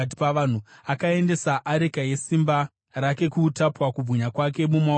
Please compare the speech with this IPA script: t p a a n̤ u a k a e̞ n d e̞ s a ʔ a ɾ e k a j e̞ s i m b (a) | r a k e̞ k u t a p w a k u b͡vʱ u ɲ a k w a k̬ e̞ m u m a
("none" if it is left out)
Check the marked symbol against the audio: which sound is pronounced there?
a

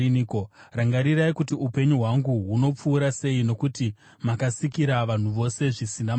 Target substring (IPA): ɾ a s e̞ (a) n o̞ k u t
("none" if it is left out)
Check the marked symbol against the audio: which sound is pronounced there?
i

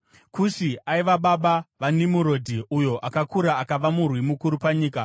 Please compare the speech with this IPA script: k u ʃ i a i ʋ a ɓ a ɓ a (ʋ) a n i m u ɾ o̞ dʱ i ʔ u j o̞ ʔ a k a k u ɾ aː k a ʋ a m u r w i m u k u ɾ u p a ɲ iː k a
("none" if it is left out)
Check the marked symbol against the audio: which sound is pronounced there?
ʋ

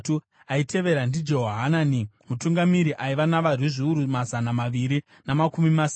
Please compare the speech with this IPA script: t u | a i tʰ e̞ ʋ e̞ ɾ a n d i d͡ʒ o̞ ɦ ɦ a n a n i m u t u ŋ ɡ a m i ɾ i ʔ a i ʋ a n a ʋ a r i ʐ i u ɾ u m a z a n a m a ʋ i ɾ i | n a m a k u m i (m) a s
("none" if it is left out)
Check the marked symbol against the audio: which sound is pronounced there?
m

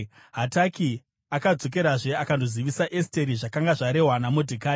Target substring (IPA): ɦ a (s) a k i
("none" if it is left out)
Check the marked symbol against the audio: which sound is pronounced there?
t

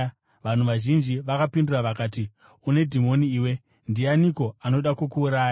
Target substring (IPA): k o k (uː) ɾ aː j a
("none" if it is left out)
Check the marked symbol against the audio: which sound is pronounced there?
uː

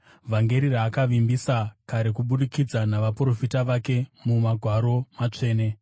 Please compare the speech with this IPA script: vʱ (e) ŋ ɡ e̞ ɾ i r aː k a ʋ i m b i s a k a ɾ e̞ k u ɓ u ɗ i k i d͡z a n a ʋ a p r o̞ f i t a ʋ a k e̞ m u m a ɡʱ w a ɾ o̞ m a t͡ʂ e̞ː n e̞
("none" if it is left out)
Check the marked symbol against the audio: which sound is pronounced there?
a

